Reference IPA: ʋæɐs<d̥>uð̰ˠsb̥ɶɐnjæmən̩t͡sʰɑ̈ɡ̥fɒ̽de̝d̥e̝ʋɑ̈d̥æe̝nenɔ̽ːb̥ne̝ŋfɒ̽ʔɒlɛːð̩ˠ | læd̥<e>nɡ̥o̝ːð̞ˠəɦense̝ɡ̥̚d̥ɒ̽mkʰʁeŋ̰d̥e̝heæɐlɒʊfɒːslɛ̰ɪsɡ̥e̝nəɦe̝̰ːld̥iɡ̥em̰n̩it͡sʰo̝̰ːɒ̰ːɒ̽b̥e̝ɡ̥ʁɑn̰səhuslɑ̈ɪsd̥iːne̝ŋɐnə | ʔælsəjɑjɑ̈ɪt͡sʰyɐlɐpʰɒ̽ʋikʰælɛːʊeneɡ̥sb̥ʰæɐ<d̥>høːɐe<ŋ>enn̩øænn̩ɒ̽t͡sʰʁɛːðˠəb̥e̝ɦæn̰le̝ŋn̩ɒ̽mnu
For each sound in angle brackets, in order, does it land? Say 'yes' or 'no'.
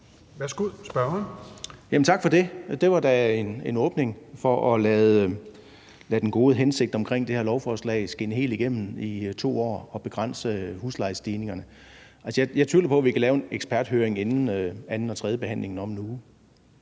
no, yes, yes, yes

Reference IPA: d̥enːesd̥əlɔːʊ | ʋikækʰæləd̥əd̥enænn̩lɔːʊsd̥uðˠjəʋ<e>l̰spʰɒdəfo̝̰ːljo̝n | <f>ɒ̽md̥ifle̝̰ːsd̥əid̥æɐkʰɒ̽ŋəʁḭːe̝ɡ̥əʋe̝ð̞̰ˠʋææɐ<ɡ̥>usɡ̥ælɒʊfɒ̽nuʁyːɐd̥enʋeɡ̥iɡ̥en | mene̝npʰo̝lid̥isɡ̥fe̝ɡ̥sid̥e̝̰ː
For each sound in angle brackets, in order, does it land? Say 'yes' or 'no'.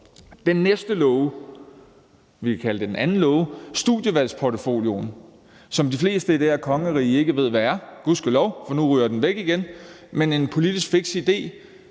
no, no, yes

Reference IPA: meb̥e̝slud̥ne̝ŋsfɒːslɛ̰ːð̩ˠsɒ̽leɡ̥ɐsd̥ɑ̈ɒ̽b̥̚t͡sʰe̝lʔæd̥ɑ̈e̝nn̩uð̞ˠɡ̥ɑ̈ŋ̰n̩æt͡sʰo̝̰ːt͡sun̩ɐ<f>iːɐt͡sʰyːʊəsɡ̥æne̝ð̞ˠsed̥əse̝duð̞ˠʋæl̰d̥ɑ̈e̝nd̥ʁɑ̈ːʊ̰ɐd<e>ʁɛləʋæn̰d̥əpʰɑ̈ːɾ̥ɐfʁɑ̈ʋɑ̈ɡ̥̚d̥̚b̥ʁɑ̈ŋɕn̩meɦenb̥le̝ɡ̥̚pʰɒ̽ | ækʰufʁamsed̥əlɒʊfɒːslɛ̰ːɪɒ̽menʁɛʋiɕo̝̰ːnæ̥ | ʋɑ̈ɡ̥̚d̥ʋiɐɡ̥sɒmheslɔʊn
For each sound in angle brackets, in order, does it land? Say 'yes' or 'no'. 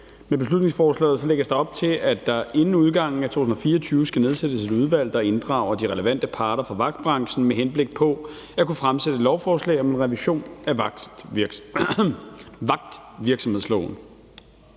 yes, no

